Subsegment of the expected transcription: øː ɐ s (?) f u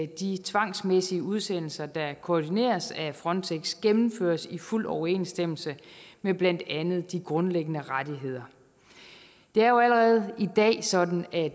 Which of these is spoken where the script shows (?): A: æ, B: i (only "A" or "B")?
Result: B